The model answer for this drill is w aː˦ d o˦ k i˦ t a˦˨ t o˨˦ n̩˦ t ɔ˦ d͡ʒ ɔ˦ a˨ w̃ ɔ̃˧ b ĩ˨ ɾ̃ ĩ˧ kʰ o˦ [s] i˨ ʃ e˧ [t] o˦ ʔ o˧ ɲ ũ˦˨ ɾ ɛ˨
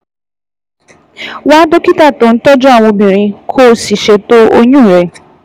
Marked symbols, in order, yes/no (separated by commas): yes, yes